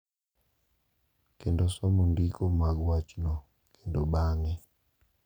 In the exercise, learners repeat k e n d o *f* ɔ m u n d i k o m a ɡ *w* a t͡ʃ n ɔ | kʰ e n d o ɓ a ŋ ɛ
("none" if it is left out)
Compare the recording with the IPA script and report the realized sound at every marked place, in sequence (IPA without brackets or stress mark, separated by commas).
s, w